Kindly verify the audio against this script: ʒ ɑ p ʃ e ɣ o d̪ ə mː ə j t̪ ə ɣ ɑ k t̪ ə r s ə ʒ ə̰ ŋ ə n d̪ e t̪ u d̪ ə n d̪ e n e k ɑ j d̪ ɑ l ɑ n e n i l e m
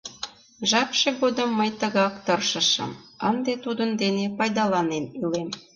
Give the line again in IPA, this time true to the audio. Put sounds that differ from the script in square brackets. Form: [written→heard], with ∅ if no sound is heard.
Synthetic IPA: ʒ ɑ p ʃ e ɣ o d̪ ə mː ə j t̪ ə ɣ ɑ k t̪ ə r [s→ʃ] ə [ʒ→ʃ] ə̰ [ŋ→m] ə n d̪ e t̪ u d̪ ə n d̪ e n e [k→p] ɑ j d̪ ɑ l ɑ n e n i l e m